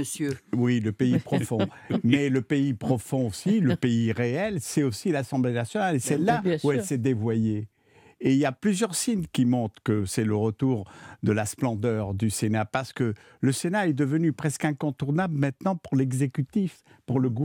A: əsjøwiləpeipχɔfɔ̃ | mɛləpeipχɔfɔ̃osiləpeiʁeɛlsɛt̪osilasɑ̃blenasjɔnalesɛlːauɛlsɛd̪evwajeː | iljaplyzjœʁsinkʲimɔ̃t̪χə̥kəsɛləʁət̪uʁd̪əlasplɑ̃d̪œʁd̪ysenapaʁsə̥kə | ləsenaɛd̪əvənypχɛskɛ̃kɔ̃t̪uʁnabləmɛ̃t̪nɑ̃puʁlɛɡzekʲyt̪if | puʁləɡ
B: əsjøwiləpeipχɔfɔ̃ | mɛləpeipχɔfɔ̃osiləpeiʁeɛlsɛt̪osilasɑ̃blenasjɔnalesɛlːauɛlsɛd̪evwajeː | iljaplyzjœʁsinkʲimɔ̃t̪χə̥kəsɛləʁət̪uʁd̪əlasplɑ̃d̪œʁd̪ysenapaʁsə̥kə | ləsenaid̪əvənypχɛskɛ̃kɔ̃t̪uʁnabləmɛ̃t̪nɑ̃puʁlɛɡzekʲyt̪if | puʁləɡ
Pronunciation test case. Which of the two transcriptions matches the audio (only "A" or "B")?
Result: A